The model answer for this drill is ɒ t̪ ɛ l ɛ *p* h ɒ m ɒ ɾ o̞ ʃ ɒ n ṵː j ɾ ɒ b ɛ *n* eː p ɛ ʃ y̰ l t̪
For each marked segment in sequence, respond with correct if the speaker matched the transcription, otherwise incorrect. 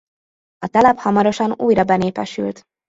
correct, correct

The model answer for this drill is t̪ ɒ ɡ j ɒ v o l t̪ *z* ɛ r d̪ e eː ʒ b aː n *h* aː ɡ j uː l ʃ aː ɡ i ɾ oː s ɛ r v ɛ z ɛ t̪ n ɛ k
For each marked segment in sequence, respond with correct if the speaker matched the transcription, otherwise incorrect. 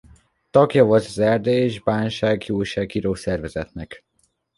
correct, incorrect

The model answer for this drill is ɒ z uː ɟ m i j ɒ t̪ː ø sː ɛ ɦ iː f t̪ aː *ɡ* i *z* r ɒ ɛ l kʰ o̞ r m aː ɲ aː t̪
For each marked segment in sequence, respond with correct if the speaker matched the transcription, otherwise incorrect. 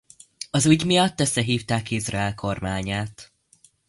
incorrect, correct

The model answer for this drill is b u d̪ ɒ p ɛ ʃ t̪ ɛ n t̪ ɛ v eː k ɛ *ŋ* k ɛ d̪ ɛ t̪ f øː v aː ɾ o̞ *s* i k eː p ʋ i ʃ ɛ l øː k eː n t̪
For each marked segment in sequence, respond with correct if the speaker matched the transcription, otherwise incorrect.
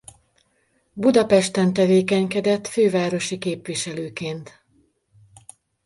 incorrect, incorrect

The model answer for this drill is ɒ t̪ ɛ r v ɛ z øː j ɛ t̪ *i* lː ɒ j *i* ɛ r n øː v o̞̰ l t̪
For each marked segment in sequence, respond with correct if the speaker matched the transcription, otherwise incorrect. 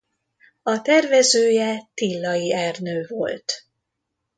correct, correct

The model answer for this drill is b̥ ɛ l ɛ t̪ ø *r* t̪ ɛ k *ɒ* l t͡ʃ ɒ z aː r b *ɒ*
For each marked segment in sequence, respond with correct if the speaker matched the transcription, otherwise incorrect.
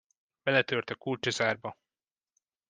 correct, incorrect, correct

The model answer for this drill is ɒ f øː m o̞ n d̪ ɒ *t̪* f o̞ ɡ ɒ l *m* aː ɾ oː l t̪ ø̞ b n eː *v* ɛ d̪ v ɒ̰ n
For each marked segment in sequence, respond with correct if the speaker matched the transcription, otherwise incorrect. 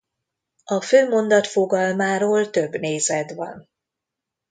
correct, correct, incorrect

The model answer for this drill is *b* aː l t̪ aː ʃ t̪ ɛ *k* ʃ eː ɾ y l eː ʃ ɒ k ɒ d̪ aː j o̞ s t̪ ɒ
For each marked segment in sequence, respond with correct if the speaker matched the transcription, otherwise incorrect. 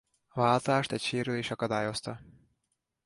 incorrect, incorrect

